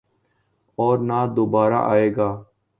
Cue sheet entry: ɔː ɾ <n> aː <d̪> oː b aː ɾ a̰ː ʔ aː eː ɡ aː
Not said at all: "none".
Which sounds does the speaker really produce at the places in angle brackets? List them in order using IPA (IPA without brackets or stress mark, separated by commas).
n, d̪